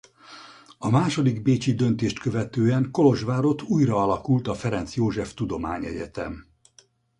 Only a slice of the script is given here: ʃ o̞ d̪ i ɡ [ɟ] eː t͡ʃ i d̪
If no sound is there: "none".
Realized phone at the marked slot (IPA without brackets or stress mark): b